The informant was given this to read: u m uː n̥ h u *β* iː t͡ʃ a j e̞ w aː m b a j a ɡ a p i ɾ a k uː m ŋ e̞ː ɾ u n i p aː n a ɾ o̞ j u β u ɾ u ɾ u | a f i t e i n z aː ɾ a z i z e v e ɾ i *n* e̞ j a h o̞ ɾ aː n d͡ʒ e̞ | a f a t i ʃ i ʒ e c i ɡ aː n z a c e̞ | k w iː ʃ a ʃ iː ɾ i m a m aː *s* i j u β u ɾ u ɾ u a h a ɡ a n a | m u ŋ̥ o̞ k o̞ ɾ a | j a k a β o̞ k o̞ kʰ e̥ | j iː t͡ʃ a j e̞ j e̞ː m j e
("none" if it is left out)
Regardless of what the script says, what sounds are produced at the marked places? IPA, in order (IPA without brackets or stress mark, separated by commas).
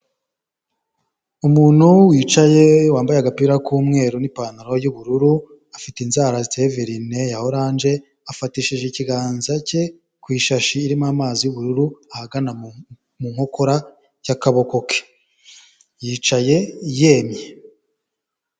w, n, z